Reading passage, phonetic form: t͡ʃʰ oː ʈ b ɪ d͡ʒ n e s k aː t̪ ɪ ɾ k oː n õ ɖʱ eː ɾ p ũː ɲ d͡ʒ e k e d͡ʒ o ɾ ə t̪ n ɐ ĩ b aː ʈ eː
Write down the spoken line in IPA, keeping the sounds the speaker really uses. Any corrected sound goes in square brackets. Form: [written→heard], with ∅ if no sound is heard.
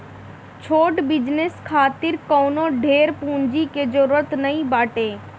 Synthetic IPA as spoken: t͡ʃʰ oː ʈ b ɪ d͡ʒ n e s [k→kʰ] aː t̪ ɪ ɾ k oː n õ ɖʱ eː ɾ p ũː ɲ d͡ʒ [e→i] k e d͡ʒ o ɾ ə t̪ n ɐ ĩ b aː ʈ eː